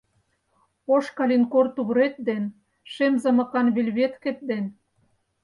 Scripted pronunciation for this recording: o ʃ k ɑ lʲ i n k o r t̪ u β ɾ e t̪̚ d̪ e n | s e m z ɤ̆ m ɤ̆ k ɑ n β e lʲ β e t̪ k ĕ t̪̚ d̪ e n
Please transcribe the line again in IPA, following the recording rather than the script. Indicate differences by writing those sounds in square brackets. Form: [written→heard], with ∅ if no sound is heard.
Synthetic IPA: o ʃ k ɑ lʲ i n k o r t̪ u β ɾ e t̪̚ d̪ e n | [s→ʃ] e m z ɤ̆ m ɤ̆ k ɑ n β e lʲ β e t̪ k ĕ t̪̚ d̪ e n